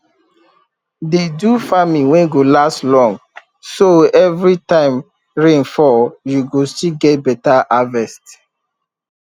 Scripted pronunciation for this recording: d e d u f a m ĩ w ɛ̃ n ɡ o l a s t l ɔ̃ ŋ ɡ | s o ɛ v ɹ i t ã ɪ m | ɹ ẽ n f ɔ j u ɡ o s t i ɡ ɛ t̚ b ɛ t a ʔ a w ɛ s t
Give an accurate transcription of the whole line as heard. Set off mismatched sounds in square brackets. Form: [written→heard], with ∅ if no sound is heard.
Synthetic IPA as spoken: d e d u f a m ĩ w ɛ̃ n ɡ o l a s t l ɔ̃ ŋ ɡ | s o ɛ v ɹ i t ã ɪ m | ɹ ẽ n f ɔ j u ɡ o s t i ɡ ɛ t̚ b ɛ t a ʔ a [w→v] ɛ s t